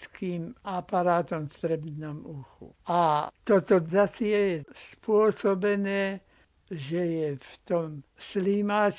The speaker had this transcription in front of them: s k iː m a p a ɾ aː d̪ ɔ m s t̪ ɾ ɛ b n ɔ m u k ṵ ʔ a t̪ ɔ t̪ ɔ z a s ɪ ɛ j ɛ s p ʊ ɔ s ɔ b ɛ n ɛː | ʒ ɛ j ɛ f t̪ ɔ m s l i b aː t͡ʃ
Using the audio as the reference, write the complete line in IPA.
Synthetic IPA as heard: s k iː m a p a ɾ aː t̪ ɔ m s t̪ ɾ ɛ b n ɔ m u x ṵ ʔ a t̪ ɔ t̪ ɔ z a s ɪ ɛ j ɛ s p ʊ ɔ s ɔ b ɛ n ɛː | ʒ ɛ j ɛ f t̪ ɔ m s l i m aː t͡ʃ